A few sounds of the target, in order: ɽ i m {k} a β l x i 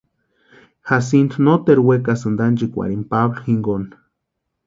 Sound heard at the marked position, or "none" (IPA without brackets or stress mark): p